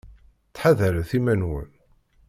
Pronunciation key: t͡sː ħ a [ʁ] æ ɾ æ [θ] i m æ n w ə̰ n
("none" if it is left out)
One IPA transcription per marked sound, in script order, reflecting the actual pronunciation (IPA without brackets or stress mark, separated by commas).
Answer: ð, θ